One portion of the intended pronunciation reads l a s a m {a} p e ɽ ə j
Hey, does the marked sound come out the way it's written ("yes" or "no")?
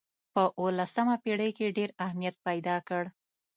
yes